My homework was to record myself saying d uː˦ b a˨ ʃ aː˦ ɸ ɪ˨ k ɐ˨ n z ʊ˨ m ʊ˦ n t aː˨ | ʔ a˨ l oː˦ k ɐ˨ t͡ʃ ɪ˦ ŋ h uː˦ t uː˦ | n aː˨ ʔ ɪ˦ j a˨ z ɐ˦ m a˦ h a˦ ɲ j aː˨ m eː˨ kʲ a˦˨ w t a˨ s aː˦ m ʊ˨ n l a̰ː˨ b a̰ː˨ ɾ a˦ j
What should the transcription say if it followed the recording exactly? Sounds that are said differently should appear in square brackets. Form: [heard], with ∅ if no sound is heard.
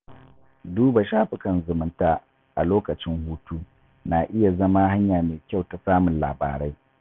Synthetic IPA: d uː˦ b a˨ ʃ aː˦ ɸ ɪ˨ k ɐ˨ n z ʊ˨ m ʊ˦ n t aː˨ | ʔ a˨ l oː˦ k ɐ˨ t͡ʃ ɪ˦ ŋ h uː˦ t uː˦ | n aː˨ ʔ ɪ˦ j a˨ z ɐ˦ m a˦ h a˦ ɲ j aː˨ m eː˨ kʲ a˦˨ w t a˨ s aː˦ m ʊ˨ n l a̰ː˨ b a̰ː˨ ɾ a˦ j